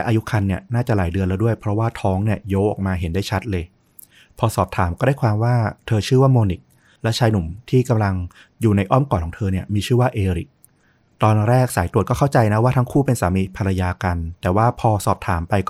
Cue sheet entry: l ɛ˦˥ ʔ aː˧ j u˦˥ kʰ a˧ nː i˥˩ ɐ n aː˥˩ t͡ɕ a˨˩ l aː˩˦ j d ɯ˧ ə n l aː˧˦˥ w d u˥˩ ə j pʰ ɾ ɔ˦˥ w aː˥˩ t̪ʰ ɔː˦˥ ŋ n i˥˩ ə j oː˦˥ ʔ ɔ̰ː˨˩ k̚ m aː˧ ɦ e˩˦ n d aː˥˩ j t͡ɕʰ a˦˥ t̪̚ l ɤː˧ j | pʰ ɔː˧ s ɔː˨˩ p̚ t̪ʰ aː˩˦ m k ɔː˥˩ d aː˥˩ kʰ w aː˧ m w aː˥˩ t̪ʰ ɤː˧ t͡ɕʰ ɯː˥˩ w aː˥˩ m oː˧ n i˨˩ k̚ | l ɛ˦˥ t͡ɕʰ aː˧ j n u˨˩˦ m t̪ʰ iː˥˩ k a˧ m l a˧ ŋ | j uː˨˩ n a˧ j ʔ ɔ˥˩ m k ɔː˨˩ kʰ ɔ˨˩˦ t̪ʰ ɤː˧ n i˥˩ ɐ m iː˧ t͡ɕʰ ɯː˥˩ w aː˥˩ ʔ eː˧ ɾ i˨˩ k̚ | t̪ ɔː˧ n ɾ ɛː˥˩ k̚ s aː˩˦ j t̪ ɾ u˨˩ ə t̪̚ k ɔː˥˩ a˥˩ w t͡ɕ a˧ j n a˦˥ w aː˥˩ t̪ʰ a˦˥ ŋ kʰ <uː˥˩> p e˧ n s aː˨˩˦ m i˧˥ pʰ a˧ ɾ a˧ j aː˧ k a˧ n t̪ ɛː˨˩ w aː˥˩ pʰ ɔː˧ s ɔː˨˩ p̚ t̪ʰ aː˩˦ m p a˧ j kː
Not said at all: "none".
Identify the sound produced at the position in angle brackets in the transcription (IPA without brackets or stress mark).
uː˥˩